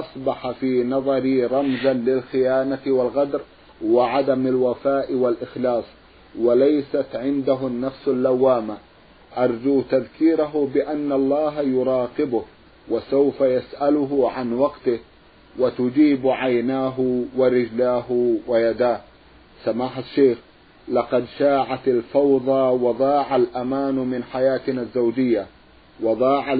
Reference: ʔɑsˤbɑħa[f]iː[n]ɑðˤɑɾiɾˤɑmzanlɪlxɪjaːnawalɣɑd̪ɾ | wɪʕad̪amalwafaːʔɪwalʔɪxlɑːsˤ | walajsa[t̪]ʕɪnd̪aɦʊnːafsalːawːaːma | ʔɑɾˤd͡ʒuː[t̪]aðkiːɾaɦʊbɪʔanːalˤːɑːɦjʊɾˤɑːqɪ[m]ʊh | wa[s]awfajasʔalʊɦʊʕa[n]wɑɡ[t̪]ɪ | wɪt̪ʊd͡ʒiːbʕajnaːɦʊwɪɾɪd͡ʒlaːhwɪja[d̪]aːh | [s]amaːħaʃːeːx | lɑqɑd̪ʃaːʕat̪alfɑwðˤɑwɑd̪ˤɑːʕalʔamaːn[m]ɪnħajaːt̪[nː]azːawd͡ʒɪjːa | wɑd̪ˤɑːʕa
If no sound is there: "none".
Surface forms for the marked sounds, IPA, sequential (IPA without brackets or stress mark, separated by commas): f, n, t̪, t̪, b, s, n, t̪, d̪, s, m, n